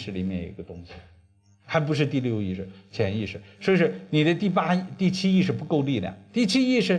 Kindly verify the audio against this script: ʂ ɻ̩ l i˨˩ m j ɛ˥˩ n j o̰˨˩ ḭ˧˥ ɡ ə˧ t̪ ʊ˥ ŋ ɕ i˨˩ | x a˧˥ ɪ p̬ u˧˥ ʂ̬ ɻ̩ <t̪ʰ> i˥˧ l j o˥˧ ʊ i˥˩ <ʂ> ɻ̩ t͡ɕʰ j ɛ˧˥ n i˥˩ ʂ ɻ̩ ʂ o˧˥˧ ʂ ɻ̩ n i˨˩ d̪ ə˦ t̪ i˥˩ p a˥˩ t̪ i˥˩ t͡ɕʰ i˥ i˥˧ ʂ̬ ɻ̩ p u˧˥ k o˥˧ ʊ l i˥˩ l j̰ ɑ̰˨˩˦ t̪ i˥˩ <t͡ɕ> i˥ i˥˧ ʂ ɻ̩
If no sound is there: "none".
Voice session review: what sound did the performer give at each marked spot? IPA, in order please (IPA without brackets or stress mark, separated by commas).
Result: t̪, ʂ, t͡ɕʰ